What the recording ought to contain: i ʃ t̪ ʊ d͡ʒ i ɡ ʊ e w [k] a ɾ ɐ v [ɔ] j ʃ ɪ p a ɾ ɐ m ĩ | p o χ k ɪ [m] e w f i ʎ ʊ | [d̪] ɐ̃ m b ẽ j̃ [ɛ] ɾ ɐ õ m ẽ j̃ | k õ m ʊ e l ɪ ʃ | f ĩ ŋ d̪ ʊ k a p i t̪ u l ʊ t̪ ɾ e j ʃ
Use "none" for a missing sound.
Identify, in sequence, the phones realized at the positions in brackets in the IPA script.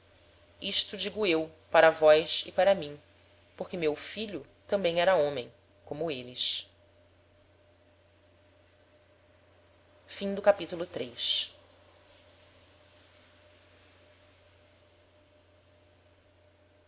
p, ɔ, m, t̪, ɛ

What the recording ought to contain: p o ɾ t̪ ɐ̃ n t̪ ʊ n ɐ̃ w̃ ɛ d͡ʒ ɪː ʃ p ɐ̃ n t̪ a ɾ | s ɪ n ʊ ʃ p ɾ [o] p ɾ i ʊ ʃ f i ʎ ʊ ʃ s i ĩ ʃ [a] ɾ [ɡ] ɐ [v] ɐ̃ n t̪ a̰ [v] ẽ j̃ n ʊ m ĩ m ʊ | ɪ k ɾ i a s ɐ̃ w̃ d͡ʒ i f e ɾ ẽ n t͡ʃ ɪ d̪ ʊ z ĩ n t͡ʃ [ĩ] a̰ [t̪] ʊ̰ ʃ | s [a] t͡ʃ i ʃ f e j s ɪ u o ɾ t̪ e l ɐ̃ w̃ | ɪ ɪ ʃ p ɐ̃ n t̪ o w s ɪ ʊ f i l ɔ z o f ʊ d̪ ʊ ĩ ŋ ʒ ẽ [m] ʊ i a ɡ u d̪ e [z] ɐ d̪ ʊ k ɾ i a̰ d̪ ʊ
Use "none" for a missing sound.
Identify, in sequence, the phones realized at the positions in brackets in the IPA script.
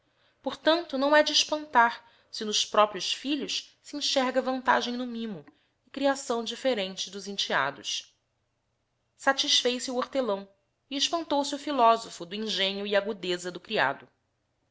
ɔ, ɛ, ɡ, v, ʒ, i, d̪, a, ɲ, z

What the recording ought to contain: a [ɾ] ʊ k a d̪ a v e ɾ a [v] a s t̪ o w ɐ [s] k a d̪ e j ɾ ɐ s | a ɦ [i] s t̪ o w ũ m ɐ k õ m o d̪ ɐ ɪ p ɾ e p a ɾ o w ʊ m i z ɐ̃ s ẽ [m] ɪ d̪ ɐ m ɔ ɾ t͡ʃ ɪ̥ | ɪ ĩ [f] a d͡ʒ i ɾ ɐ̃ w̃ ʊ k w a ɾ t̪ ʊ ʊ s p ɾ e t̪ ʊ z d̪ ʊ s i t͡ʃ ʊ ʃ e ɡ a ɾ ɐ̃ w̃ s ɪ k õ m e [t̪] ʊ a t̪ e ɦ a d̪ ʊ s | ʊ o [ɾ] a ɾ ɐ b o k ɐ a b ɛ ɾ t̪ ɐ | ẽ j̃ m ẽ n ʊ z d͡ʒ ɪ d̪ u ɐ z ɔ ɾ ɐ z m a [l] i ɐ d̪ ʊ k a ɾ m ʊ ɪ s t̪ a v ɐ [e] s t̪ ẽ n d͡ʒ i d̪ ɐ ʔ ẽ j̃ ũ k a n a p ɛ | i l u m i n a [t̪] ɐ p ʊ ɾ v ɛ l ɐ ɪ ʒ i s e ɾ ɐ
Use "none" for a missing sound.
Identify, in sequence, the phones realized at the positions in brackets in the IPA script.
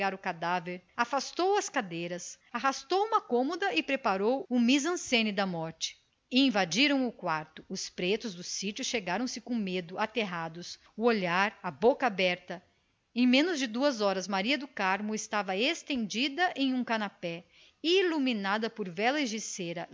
ɾ, f, s, a, n, v, d̪, ʎ, ɾ, e, d̪

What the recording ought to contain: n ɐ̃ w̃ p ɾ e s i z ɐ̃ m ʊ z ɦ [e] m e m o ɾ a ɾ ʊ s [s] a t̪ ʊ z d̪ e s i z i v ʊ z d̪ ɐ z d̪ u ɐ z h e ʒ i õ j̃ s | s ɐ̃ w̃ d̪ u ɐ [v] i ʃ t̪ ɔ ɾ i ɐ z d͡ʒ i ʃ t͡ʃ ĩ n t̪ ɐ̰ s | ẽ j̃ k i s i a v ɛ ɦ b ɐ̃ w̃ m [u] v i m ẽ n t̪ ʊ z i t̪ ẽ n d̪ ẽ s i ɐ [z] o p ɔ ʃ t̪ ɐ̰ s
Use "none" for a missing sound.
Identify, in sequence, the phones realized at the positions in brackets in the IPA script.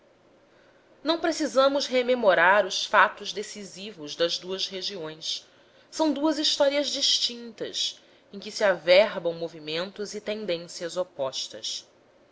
e, f, z, o, z

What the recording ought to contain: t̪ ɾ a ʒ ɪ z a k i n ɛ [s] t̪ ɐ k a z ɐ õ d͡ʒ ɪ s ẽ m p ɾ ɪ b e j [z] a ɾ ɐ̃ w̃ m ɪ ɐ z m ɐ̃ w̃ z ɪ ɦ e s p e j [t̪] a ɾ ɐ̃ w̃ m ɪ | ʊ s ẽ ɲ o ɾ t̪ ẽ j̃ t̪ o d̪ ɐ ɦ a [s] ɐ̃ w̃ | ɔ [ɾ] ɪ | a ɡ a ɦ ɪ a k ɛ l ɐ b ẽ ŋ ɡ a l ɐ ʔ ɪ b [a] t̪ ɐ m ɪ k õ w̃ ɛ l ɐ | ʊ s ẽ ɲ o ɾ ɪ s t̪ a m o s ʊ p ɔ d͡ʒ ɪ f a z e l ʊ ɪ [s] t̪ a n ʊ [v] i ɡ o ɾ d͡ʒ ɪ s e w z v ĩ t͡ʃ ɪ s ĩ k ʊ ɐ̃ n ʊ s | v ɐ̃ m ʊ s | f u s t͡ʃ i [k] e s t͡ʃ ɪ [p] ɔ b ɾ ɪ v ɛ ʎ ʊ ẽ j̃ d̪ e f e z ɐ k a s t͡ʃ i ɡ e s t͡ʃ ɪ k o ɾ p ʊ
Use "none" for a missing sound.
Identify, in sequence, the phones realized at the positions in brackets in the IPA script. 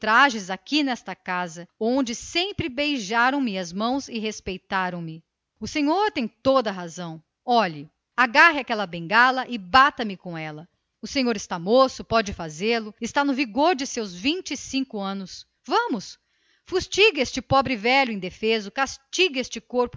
s, ʒ, t̪, z, ʎ, a, s, v, ɡ, p

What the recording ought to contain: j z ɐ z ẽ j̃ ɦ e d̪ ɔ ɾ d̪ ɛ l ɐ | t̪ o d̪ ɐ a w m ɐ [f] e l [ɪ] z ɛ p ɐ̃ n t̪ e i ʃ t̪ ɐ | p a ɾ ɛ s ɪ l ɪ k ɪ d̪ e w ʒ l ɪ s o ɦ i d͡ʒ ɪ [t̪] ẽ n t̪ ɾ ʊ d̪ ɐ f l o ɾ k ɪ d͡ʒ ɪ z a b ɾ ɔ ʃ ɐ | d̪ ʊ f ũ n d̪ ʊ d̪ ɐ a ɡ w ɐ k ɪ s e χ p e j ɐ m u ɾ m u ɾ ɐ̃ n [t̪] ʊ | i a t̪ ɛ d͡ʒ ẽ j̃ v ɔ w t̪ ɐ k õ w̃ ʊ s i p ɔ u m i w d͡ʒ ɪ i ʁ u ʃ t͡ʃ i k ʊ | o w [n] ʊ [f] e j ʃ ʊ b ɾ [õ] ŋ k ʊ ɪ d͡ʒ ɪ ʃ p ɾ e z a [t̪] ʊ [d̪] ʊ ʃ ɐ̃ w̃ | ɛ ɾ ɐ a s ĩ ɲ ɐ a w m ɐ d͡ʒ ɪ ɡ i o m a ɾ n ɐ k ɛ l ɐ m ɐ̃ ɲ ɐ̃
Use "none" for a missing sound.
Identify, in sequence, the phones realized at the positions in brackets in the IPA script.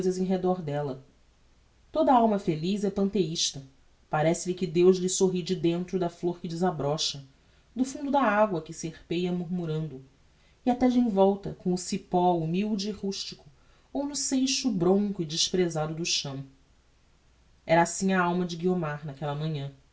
f, i, d̪, d̪, n, s, õ, d̪, d̪

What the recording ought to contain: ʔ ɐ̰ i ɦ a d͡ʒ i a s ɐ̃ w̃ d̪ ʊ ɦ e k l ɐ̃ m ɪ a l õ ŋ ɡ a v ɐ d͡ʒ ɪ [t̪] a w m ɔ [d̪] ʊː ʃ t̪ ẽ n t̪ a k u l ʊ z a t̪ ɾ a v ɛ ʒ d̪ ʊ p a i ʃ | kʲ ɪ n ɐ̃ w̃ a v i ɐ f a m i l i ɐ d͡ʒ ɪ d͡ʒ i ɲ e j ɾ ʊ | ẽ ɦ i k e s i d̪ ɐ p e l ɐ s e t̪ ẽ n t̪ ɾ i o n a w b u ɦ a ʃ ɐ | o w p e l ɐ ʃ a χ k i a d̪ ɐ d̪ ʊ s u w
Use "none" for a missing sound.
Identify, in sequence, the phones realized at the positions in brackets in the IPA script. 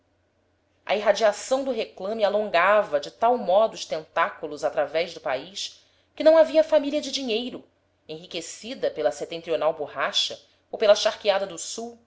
t̪, d̪

